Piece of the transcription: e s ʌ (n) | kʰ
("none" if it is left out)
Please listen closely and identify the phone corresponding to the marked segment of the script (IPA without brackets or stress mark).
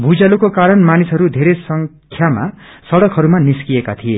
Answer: ŋ